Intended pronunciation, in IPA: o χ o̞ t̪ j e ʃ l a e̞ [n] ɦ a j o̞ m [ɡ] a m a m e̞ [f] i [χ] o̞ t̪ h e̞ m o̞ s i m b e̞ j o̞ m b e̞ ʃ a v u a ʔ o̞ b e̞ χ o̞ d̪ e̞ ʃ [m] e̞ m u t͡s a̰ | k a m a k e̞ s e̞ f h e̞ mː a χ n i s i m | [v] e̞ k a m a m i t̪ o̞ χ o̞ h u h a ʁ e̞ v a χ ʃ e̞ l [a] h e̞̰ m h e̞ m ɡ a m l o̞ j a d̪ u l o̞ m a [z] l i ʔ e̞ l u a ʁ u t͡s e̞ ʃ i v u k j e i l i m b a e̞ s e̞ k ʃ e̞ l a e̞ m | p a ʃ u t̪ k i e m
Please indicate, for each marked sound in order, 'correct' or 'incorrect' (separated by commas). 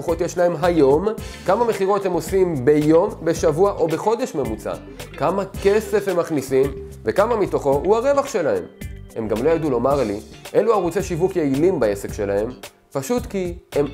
incorrect, incorrect, incorrect, incorrect, correct, correct, correct, incorrect